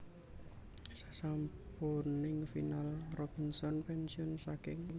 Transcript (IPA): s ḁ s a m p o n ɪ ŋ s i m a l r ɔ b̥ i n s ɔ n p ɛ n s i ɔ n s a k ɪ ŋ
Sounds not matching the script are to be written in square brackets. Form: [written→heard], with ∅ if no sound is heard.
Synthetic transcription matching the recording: s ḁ s a m p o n ɪ ŋ [s→f] i [m→n] a l r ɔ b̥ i n s ɔ n p ɛ n s i ɔ n s a k ɪ ŋ